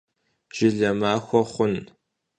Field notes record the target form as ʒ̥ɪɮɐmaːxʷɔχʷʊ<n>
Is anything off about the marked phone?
no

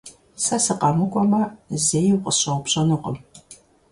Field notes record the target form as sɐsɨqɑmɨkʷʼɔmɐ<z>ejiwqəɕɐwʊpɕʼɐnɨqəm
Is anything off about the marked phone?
no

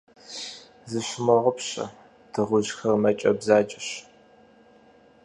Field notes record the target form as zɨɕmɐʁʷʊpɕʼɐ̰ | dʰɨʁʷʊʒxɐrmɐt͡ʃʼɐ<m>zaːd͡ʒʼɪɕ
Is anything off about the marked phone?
yes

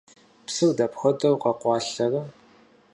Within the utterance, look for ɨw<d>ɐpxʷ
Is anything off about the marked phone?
no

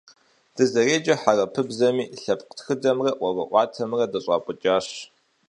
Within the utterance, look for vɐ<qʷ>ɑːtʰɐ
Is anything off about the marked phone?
yes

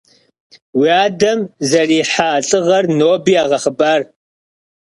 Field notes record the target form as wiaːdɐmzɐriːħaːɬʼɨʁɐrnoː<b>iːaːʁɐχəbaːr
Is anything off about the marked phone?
no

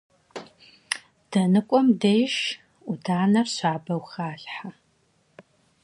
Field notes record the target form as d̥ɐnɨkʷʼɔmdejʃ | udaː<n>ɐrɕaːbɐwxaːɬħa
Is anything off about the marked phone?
no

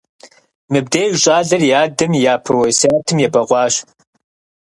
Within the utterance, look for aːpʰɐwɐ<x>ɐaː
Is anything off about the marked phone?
yes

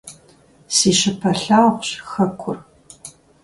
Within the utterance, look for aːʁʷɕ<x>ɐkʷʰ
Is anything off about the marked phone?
no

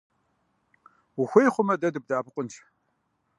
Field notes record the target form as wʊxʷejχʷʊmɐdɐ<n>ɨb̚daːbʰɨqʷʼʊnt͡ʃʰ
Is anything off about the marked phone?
yes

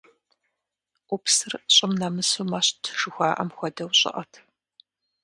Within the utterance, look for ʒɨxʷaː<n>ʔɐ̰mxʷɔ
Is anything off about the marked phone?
yes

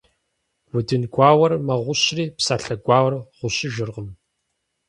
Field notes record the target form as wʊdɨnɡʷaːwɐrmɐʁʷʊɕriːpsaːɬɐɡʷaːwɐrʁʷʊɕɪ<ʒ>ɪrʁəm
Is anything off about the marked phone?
no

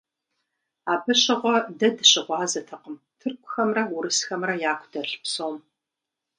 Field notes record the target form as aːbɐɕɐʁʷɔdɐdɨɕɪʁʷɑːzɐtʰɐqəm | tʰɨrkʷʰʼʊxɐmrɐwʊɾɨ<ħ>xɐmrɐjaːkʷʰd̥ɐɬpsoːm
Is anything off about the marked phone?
yes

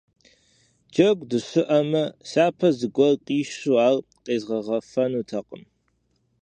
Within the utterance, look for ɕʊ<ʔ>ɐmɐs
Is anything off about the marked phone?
no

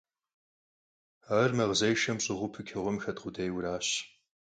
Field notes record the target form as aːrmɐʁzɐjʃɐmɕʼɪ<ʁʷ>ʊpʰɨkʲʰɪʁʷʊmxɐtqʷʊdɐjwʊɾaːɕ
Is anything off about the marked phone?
no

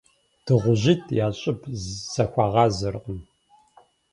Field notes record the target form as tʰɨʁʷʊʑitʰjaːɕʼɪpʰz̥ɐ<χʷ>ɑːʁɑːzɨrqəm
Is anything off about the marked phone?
yes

